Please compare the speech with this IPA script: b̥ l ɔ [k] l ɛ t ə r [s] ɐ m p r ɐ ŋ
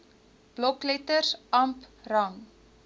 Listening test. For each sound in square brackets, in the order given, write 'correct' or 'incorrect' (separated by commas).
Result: correct, correct